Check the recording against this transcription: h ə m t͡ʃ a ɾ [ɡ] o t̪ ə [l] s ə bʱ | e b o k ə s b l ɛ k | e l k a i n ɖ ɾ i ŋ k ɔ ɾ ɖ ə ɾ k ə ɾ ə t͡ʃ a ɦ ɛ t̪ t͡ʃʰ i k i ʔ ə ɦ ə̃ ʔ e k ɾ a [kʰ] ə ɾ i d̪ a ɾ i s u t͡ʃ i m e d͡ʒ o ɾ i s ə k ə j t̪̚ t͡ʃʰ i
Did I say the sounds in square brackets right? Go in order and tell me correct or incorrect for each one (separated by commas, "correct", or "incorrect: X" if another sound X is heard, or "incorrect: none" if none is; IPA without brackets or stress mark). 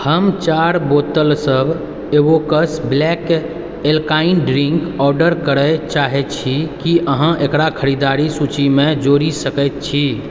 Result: incorrect: b, correct, correct